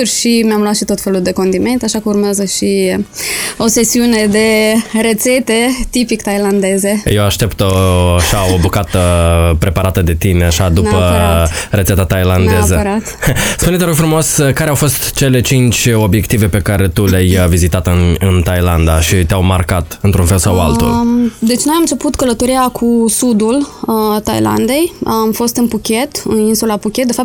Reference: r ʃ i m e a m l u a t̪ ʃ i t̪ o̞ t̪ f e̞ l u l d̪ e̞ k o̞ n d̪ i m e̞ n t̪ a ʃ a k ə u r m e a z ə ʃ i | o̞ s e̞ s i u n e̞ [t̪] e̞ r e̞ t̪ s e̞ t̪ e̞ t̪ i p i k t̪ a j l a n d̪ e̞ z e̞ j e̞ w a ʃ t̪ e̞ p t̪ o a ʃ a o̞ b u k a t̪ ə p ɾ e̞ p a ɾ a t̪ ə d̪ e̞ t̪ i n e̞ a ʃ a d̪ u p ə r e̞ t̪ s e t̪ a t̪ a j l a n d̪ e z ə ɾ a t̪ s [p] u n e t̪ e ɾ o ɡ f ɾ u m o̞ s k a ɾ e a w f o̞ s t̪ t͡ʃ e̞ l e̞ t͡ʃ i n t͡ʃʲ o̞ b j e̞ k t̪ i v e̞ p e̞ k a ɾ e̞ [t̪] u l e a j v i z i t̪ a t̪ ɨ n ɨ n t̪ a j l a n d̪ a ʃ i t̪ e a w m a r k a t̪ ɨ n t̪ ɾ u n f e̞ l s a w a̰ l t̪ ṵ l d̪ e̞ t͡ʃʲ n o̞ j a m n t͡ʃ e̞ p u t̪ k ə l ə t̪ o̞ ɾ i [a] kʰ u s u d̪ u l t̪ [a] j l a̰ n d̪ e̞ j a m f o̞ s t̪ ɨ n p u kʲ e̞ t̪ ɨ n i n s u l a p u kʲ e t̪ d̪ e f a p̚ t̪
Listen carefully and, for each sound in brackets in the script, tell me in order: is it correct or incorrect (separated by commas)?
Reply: incorrect, correct, correct, correct, correct